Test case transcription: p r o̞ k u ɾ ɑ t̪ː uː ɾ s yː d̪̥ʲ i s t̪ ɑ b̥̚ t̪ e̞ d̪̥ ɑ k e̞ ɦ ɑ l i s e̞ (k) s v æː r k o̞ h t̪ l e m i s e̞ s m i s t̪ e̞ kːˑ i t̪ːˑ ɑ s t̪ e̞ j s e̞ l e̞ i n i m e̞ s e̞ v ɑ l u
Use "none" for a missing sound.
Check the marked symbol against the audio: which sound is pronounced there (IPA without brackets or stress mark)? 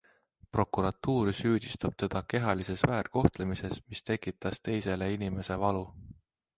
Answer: none